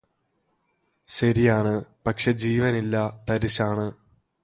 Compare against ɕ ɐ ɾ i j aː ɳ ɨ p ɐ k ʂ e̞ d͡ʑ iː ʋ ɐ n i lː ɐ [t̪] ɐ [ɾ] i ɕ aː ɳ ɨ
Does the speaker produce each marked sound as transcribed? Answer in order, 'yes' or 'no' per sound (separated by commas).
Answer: yes, yes